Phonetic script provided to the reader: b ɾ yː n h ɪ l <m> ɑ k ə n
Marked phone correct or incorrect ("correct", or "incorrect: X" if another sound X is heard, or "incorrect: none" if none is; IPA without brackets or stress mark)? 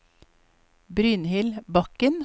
incorrect: b